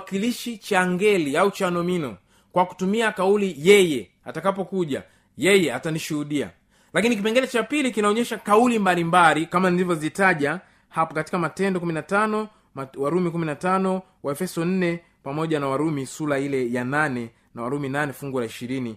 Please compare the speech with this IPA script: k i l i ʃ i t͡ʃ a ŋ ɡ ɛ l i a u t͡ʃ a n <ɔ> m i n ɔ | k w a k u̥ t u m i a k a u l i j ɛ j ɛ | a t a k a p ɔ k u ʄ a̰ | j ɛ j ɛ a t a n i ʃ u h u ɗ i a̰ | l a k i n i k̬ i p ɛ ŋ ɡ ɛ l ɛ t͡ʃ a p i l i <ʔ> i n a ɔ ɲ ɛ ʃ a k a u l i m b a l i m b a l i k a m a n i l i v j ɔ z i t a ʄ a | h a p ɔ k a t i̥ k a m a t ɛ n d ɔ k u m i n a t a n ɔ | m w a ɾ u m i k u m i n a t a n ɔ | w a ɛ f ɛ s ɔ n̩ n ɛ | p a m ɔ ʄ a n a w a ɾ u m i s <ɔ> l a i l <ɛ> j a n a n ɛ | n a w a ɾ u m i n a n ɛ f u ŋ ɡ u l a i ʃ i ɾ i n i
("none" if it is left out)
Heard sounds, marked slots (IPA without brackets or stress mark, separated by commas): ɔ, k, u, ɛ